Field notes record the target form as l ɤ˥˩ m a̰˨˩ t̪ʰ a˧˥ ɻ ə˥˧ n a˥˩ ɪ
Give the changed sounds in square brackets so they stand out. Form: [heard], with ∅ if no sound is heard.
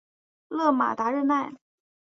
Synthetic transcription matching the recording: l ɤ˥˩ m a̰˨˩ [t̪] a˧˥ ɻ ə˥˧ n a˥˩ ɪ